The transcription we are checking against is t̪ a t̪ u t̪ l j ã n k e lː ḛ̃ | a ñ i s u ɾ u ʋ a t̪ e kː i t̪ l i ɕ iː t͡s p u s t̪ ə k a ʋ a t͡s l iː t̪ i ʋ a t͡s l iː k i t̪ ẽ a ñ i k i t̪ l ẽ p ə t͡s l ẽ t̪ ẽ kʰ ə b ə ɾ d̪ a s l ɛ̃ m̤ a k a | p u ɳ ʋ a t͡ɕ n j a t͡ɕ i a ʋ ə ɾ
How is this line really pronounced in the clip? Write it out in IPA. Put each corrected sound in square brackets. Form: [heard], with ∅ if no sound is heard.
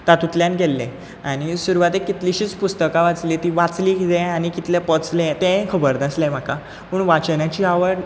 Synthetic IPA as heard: t̪ a t̪ u t̪ l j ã n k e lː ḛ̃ | a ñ i s u ɾ u ʋ a t̪ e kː i t̪ l i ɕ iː t͡s p u s t̪ ə k a ʋ a t͡s l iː t̪ i ʋ a t͡s l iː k i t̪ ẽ a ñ i k i t̪ l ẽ p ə t͡s l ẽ t̪ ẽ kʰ ə b ə ɾ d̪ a s l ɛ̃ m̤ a k a | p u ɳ ʋ a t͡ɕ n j a t͡ɕ i a ʋ ə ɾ

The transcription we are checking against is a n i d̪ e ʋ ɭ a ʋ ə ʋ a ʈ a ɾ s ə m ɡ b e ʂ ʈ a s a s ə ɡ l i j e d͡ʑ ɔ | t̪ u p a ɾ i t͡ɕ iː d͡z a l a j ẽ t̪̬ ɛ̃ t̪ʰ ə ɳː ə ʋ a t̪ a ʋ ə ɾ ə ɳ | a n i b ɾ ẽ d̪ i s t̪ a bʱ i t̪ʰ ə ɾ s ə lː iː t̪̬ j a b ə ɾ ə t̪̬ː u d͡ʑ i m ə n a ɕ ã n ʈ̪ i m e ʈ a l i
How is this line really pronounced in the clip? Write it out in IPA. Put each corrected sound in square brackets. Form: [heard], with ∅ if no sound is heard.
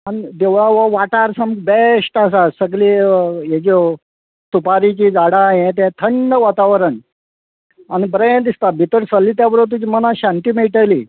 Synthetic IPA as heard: a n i d̪ e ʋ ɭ a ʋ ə ʋ a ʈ a ɾ s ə m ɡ b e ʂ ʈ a s a s ə ɡ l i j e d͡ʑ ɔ | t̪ u p a ɾ i t͡ɕ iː d͡z a [ɽ] a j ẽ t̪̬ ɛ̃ t̪ʰ ə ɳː ə ʋ a t̪ a ʋ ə ɾ ə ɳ | a n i b ɾ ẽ d̪ i s t̪ a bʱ i [t̪] ə ɾ s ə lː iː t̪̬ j a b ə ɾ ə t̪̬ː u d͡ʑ i m ə n a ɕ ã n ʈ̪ i m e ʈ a l i

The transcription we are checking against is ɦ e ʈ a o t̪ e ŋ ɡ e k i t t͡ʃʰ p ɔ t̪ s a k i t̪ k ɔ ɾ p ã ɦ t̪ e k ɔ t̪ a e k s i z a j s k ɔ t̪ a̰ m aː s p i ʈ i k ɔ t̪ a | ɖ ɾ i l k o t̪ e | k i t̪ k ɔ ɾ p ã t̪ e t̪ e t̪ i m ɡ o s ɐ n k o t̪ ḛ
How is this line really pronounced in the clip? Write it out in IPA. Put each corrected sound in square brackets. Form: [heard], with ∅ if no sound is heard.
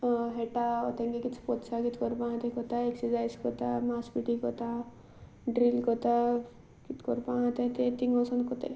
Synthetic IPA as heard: ɦ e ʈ a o t̪ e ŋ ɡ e k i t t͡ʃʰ p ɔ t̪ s a k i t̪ k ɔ ɾ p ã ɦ t̪ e k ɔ t̪ a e k s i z a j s k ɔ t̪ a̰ m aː s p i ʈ i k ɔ t̪ a | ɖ ɾ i l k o t̪ [a] | k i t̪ k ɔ ɾ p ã t̪ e t̪ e t̪ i [ŋ] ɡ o s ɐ n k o t̪ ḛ

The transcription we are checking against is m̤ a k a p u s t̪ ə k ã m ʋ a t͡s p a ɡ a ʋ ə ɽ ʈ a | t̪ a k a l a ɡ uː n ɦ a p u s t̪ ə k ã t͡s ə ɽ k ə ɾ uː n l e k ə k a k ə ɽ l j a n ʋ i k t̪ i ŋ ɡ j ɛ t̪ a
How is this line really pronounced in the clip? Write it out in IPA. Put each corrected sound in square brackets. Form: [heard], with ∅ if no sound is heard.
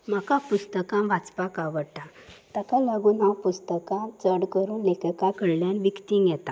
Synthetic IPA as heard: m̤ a k a p u s t̪ ə k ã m ʋ a t͡s p a [k] a ʋ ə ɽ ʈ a | t̪ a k a l a ɡ uː n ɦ a p u s t̪ ə k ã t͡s ə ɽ k ə ɾ uː n l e k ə k a k ə ɽ l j a n ʋ i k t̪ i ŋ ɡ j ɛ t̪ a

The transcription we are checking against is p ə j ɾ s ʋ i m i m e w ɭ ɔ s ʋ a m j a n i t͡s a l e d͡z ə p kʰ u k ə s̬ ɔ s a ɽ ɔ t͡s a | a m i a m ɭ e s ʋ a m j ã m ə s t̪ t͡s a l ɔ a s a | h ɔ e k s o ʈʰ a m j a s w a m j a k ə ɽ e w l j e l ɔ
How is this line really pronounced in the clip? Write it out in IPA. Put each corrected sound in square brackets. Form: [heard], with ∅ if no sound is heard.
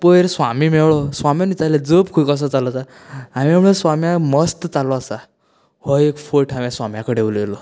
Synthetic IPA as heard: p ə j ɾ s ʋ [a] m i m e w ɭ ɔ s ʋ a m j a n i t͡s a l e d͡z ə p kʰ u k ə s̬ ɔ [t͡s] a [l] ɔ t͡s a | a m i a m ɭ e s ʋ a m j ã m ə s t̪ t͡s a l ɔ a s a | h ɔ e k [f] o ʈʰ a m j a s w a m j a k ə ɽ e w l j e l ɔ

